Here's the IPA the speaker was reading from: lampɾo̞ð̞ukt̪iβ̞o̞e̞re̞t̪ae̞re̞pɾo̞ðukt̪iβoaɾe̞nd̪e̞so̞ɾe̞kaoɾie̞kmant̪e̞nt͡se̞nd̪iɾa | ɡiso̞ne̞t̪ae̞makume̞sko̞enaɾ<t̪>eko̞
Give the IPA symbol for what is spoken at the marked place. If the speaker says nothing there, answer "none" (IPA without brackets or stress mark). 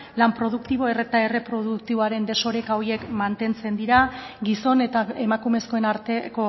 t̪